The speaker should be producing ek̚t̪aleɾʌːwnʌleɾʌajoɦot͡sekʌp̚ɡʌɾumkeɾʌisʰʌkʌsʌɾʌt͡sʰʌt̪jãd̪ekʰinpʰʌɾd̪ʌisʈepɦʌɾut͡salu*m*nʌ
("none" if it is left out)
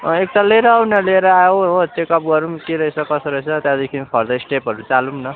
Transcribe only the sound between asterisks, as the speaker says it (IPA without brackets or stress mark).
m